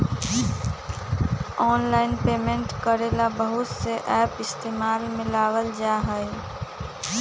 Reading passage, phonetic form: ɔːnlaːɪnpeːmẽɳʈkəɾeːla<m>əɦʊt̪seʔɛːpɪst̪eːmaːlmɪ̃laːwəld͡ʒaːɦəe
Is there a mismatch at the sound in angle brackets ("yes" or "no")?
yes